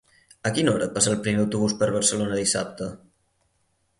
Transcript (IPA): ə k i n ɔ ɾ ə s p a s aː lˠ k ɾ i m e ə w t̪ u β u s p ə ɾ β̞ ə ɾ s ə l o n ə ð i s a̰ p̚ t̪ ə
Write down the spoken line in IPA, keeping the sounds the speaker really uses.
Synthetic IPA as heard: ə k i n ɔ ɾ ə p a s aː lˠ p ɾ i m e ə w t̪ u β u s p ə ɾ β̞ ə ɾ s ə l o n ə ð i s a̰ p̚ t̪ ə

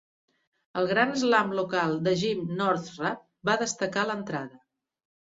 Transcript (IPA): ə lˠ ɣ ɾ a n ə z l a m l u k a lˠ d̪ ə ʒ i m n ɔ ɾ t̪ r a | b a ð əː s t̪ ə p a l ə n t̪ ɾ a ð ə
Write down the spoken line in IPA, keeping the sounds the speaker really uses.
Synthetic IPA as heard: ə lˠ ɣ ɾ a n ə z l a m l u k a lˠ d̪ ə ʒ i m n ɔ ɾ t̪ r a | b a ð ə s t̪ ə k a l ə n t̪ ɾ a ð ə

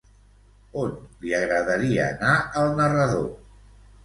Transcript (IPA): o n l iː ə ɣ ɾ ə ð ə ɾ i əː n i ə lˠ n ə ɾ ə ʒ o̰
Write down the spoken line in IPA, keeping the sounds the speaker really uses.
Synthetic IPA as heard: o n l i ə ɣ ɾ ə ð ə ɾ i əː n a ə lˠ n ə r ə ð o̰

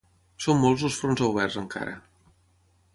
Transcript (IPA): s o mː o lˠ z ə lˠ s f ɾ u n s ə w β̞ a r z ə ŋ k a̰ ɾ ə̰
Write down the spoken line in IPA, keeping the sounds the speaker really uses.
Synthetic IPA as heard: s o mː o lˠ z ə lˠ s f ɾ o n z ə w β̞ ɛ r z ə ŋ k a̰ ɾ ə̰

